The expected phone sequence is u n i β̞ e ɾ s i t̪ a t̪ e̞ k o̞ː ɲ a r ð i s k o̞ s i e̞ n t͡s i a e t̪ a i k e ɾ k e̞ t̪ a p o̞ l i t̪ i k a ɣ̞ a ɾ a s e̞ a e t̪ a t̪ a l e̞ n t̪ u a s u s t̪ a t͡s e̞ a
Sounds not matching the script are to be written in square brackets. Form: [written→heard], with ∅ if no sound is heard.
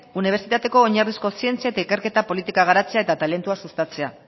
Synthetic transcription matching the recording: u n i β̞ e ɾ s i t̪ a t̪ e̞ k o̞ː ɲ a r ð i s k o̞ s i e̞ n t͡s i a e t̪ a i k e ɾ k e̞ t̪ a p o̞ l i t̪ i k a ɣ̞ a ɾ a [s→t͡s] e̞ a e t̪ a t̪ a l e̞ n t̪ u a s u s t̪ a t͡s e̞ a